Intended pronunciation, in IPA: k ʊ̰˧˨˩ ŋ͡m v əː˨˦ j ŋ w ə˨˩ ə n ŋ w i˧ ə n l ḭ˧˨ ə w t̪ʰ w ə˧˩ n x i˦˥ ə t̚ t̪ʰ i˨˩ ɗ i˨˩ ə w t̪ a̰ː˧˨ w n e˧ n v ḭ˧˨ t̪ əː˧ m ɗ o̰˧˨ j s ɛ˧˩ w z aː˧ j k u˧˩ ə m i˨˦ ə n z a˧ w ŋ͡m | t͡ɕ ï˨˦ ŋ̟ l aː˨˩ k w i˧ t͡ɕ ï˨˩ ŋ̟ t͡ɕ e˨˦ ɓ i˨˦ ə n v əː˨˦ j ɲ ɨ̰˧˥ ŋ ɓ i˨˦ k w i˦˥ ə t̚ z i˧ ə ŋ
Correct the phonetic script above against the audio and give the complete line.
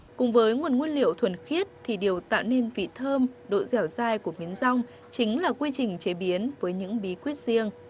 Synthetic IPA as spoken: k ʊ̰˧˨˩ ŋ͡m v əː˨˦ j ŋ w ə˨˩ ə n ŋ w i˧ ə n l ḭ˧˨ ə w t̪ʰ w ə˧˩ n x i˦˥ ə t̚ t̪ʰ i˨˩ ɗ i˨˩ ə w t̪ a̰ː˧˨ w n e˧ n v ḭ˧˨ t̪ʰ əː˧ m ɗ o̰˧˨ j z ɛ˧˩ w z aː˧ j k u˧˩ ə m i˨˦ ə n z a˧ w ŋ͡m | t͡ɕ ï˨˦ ŋ̟ l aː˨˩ k w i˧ t͡ɕ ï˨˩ ŋ̟ t͡ɕ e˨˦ ɓ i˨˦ ə n v əː˨˦ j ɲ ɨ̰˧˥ ŋ ɓ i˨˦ k w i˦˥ ə t̚ z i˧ ə ŋ

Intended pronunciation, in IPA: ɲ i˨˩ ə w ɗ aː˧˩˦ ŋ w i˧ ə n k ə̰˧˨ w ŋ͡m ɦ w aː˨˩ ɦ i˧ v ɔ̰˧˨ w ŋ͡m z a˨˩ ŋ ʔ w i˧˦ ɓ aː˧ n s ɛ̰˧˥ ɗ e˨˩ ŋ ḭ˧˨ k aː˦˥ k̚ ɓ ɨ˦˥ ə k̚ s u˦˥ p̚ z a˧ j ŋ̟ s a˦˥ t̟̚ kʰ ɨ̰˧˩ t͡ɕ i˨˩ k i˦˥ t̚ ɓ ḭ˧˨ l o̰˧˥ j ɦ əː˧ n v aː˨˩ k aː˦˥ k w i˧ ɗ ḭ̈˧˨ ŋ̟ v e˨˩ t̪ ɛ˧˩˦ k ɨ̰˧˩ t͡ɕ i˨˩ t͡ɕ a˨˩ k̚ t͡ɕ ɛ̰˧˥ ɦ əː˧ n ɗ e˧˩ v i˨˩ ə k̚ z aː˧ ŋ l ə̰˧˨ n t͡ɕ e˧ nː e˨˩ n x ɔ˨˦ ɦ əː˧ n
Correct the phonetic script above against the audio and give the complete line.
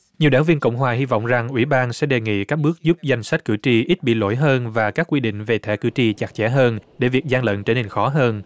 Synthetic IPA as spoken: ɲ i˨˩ ə w ɗ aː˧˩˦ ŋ v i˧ ə n k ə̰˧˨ w ŋ͡m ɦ w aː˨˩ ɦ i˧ v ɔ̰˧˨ w ŋ͡m z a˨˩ ŋ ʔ w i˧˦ ɓ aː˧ n s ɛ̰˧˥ ɗ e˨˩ ŋ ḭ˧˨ k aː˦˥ k̚ ɓ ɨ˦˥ ə k̚ z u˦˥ p̚ z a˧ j ŋ̟ s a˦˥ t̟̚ k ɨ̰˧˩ t͡ɕ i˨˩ ʔ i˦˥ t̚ ɓ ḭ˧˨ l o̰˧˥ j ɦ əː˧ n v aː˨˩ k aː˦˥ k w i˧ ɗ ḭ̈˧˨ ŋ̟ v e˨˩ t̪ʰ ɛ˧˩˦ k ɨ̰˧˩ t͡ɕ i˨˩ t͡ɕ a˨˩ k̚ t͡ɕ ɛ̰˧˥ ɦ əː˧ n ɗ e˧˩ v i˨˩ ə k̚ z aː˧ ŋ l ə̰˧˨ n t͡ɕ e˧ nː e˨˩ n x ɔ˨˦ ɦ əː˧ n

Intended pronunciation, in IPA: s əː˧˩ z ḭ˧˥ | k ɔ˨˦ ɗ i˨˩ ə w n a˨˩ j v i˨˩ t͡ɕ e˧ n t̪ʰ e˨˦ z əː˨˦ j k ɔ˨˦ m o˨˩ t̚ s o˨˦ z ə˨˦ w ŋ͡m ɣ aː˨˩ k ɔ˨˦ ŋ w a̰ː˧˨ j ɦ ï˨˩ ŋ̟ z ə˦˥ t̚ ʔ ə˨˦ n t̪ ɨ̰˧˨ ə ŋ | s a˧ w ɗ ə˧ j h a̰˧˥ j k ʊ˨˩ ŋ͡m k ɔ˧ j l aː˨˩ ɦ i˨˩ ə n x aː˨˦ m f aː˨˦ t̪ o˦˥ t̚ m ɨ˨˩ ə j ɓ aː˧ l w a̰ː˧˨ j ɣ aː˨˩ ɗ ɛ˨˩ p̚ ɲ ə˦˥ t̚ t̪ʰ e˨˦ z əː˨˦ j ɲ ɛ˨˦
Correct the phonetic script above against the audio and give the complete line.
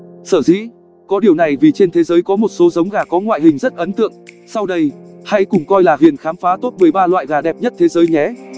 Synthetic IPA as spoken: s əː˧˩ z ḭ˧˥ | k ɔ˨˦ ɗ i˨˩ ə w n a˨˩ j v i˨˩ t͡ɕ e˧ n t̪ʰ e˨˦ z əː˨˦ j k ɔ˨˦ m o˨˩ t̚ s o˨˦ z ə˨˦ w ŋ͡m ɣ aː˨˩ k ɔ˨˦ ŋ w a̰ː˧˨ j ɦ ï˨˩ ŋ̟ z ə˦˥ t̚ ʔ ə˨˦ n t̪ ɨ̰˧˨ ə ŋ | s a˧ w ɗ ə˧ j h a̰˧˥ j k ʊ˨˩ ŋ͡m k ɔ˧ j l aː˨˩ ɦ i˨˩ ə n x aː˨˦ m f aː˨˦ t̪ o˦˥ t̚ m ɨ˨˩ ə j ɓ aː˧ l w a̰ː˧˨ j ɣ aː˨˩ ɗ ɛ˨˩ p̚ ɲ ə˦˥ t̚ t̪ʰ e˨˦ z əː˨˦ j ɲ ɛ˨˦

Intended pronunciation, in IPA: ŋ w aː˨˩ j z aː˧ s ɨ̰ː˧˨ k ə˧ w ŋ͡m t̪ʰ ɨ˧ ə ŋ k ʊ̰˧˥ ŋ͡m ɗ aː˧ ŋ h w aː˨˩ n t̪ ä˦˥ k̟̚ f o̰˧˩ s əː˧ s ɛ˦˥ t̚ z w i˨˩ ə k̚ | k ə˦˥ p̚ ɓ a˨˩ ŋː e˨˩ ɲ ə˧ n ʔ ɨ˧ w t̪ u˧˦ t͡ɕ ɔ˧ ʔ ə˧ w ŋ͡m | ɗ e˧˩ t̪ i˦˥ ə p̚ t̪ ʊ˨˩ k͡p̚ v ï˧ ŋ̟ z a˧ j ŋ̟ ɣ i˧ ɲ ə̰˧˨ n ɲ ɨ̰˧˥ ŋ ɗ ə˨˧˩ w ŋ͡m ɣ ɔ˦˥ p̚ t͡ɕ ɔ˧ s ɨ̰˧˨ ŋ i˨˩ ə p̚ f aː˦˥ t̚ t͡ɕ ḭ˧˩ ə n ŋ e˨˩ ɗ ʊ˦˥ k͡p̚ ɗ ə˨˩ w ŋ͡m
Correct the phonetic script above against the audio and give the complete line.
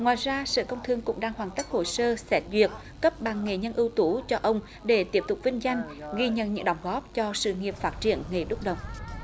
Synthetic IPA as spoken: ŋ w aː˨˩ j z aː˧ s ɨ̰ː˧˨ k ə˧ w ŋ͡m t̪ʰ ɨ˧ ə ŋ k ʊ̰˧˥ ŋ͡m ɗ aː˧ ŋ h w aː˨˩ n t̪ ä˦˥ k̟̚ h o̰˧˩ s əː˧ s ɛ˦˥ t̚ z w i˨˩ ə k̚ | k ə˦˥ p̚ ɓ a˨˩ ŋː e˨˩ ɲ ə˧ n ʔ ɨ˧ w t̪ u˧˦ t͡ɕ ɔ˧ ʔ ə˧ w ŋ͡m | ɗ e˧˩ t̪ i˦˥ ə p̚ t̪ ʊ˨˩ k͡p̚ v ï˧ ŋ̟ z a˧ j ŋ̟ ɣ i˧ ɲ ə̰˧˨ n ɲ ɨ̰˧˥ ŋ ɗ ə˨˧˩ w ŋ͡m ɣ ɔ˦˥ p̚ t͡ɕ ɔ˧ s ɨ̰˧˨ ŋ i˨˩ ə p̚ f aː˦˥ t̚ t͡ɕ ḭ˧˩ ə n ŋ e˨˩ ɗ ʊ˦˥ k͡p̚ ɗ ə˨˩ w ŋ͡m

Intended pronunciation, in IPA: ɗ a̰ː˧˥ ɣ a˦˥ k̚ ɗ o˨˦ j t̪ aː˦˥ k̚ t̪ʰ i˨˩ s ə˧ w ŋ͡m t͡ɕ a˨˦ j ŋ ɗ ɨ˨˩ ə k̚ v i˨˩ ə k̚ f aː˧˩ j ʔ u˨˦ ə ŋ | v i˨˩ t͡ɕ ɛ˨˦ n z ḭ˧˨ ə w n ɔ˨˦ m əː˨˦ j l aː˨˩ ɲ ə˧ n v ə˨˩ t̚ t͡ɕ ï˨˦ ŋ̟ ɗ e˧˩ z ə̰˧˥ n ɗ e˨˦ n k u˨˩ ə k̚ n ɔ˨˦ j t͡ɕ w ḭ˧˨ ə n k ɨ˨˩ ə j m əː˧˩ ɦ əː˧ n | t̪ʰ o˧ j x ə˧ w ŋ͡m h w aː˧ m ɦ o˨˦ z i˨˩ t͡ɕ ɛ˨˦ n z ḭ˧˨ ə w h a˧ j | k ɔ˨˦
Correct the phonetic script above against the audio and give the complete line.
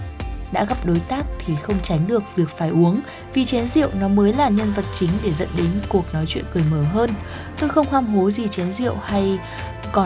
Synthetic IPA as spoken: ɗ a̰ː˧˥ ɣ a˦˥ p̚ ɗ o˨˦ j t̪ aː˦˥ k̚ t̪ʰ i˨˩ x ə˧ w ŋ͡m t͡ɕ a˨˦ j ŋ ɗ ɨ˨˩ ə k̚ v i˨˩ ə k̚ f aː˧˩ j ʔ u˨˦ ə ŋ | v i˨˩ t͡ɕ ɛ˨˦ n z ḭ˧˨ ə w n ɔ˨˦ m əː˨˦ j l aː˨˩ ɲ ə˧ n v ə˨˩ t̚ t͡ɕ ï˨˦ ŋ̟ ɗ e˧˩ z ə̰˧˥ n ɗ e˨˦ n k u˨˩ ə k̚ n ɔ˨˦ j t͡ɕ w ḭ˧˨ ə n k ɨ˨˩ ə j m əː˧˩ ɦ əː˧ n | t̪ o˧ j x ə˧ w ŋ͡m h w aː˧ m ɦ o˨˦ z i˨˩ t͡ɕ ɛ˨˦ n z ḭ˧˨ ə w h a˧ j | k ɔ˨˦

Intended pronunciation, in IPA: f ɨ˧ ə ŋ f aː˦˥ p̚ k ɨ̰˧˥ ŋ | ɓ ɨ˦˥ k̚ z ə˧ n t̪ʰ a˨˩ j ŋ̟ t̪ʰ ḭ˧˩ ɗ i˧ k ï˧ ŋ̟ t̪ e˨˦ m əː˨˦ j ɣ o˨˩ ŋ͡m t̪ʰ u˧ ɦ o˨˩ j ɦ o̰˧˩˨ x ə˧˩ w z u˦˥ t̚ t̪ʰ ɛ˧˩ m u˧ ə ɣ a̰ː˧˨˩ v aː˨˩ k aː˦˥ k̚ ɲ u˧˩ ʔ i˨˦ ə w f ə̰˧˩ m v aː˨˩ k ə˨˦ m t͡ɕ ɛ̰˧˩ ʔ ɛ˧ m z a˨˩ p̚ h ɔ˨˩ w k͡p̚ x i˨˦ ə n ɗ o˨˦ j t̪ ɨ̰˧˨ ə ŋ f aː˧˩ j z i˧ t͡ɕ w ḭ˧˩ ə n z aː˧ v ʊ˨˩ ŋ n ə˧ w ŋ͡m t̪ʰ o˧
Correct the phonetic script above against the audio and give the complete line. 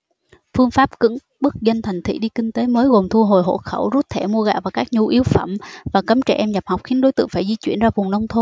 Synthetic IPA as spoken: f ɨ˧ ə ŋ f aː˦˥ p̚ k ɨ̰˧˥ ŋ | ɓ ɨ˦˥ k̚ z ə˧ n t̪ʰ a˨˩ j ŋ̟ t̪ʰ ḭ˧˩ ɗ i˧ k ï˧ ŋ̟ t̪ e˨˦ m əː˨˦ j ɣ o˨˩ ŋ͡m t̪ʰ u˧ ɦ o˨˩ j ɦ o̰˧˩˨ x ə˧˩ w z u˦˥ t̚ t̪ʰ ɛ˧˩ m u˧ ə ɣ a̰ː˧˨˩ v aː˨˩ k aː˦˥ k̚ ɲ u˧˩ ʔ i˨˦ ə w f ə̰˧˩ m v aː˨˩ k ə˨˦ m t͡ɕ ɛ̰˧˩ ʔ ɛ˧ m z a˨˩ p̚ h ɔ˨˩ w k͡p̚ x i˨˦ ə n ɗ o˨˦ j t̪ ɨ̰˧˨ ə ŋ f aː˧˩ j z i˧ t͡ɕ w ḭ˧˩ ə n z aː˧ v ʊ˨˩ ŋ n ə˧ w ŋ͡m t̪ʰ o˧

